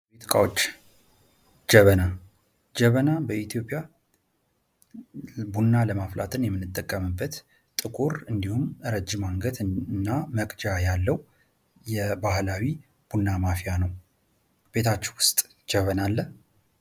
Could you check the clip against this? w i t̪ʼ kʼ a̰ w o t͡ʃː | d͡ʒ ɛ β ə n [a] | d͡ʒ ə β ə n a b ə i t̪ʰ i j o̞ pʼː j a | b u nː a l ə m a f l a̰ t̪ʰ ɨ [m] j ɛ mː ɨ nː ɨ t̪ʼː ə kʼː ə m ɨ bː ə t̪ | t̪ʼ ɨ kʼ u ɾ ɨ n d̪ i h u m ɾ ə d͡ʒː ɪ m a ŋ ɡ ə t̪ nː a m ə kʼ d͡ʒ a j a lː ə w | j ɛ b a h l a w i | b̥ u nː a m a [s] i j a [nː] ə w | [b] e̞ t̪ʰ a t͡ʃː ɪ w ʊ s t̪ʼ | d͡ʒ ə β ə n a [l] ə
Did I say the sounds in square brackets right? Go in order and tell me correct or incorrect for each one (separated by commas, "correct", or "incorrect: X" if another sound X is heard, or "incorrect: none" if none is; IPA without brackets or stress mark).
correct, incorrect: n, incorrect: f, incorrect: n, correct, incorrect: lː